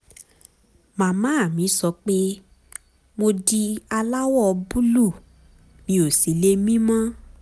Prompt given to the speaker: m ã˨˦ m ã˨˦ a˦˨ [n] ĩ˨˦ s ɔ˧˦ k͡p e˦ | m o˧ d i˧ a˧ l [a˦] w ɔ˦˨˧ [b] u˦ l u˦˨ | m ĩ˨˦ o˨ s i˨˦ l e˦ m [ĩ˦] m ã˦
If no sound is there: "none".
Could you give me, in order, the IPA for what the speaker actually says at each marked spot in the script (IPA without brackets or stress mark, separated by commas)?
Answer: m, a˦, b, ĩ˦